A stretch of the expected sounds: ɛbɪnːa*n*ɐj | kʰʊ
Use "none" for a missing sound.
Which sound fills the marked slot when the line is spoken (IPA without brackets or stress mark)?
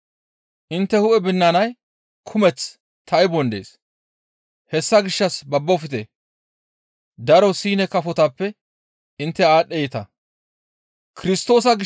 n